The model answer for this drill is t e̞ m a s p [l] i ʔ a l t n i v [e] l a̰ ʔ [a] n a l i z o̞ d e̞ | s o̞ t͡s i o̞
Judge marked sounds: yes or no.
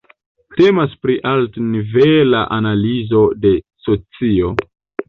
no, yes, yes

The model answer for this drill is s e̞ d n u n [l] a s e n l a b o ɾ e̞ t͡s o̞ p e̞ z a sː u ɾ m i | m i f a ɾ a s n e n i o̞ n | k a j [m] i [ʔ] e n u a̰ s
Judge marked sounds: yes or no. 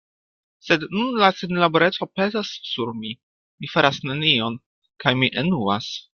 yes, yes, yes

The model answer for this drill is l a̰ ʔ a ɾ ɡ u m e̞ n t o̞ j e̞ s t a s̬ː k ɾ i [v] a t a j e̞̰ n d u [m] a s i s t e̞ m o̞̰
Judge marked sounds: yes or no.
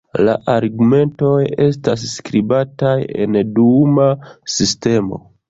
no, yes

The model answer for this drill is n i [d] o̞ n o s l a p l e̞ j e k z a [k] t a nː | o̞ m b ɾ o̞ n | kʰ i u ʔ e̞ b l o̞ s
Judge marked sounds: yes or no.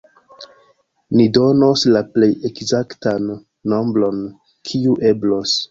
yes, yes

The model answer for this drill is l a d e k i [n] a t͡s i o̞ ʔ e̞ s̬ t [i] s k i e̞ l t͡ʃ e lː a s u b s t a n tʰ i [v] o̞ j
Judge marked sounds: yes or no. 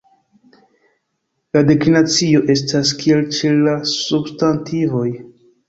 yes, no, yes

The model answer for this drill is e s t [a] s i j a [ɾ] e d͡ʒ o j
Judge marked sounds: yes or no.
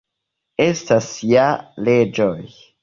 yes, no

